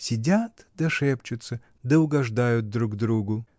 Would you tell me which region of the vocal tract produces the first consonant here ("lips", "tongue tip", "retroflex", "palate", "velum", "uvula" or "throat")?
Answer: tongue tip